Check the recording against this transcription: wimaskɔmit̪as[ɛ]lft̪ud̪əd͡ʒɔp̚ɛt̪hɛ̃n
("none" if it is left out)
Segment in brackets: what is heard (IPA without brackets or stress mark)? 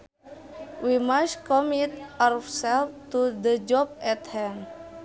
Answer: ɛ